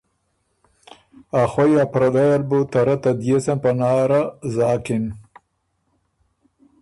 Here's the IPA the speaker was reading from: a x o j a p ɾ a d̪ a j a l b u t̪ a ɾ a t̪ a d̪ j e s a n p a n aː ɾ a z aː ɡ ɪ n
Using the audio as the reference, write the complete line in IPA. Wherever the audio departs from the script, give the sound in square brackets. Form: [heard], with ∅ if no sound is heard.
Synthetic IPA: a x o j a p ɾ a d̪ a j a l b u t̪ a ɾ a t̪ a d̪ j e s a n p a n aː ɾ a z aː [k] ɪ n

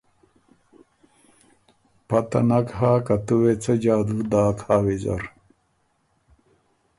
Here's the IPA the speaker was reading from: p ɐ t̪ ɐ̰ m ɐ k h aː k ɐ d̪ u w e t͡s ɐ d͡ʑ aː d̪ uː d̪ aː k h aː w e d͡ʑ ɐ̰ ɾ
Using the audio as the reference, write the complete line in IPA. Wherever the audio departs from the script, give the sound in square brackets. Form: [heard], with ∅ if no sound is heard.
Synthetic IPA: p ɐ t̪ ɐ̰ [n] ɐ k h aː k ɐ [t̪] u w e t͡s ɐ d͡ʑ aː d̪ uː d̪ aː k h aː w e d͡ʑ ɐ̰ ɾ

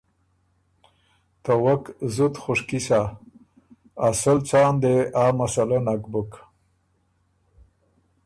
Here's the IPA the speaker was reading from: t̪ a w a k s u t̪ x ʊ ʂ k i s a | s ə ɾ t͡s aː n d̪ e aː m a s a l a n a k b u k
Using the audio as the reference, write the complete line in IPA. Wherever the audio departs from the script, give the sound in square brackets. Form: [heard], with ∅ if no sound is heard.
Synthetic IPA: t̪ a w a k [z] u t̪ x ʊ ʂ k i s a | s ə [l] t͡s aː n d̪ e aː m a s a l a n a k b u k

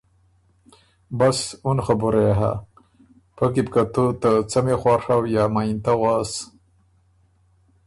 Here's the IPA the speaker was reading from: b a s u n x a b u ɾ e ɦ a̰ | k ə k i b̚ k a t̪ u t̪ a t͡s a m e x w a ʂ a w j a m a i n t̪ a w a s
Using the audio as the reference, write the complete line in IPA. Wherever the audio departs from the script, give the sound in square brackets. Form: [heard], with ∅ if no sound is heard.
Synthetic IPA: b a s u n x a b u ɾ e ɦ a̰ | [p] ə k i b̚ k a t̪ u t̪ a t͡s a m e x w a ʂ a w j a m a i n t̪ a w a s

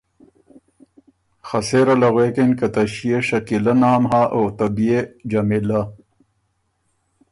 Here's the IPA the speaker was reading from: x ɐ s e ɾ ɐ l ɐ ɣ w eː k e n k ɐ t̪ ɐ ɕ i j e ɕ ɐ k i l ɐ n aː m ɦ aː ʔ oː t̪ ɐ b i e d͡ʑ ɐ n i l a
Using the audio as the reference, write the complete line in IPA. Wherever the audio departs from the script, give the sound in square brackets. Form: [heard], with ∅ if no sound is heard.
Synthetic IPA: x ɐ s e ɾ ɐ l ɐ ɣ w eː k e n k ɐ t̪ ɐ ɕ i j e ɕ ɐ k i l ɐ n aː m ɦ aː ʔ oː t̪ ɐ b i e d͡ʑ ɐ [m] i l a

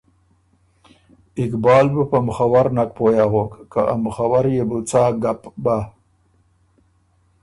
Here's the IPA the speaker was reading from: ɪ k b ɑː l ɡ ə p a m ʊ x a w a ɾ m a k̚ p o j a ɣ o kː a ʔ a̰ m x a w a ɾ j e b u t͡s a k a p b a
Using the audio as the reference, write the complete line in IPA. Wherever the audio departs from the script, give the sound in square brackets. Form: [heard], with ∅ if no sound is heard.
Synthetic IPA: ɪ k b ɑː l [b] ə p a m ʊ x a w a ɾ [n] a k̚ p o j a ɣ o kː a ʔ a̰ m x a w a ɾ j e b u t͡s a [ɡ] a p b a

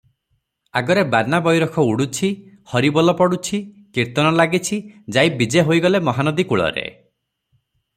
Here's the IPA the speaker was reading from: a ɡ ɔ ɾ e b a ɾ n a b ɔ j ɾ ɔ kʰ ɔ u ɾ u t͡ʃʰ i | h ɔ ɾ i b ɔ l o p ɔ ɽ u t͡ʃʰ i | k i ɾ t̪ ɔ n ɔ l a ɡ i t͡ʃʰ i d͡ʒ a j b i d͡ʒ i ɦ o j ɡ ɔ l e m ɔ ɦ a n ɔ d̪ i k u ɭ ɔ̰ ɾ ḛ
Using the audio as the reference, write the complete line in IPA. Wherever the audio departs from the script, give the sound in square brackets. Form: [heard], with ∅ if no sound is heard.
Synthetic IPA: a ɡ ɔ ɾ e b a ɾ n a b ɔ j ɾ ɔ kʰ ɔ u [ɽ] u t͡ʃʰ i | h ɔ ɾ i b ɔ l [ɔ] p ɔ ɽ u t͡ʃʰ i | k i ɾ t̪ ɔ n ɔ l a ɡ i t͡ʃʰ i d͡ʒ a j b i d͡ʒ [e] ɦ o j ɡ ɔ l e m ɔ ɦ a n ɔ d̪ i k u ɭ ɔ̰ ɾ ḛ

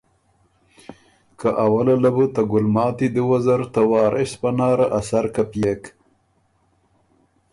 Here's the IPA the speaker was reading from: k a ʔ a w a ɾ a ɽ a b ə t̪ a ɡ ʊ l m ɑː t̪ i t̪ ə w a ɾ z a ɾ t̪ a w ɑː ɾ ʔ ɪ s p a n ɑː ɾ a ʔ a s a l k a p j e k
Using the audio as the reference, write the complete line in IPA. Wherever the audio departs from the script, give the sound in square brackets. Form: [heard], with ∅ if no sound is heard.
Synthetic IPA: k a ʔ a w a [l] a [l] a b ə t̪ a ɡ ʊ l m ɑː t̪ i [d̪] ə w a [∅] z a ɾ t̪ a w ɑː ɾ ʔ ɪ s p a n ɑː ɾ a ʔ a s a [ɾ] k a p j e k

